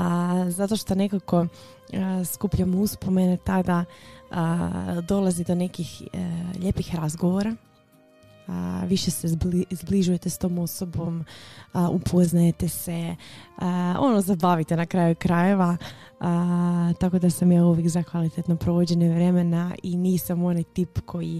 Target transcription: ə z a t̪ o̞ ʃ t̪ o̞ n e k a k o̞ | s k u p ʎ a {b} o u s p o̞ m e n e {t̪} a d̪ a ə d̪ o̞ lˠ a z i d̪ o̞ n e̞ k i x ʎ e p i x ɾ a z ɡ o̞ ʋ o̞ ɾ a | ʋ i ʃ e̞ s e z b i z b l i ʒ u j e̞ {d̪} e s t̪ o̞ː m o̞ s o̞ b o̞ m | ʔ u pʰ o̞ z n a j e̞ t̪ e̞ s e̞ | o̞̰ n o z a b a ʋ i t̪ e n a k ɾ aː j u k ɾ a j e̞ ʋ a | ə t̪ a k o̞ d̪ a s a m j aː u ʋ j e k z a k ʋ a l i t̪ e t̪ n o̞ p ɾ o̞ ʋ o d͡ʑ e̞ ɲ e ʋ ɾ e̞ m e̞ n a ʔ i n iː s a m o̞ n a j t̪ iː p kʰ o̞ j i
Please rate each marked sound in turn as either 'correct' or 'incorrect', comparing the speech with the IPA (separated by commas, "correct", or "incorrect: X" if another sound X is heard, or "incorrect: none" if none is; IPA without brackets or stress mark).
incorrect: m, correct, incorrect: t̪